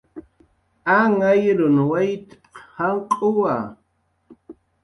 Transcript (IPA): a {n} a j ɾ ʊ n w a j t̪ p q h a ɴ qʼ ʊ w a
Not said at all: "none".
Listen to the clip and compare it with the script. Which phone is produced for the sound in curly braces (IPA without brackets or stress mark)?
ŋ